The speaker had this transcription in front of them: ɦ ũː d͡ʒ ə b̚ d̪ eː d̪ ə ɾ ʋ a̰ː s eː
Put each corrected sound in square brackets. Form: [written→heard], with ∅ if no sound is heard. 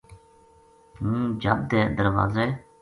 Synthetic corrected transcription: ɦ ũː d͡ʒ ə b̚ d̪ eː d̪ ə ɾ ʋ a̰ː [s→z] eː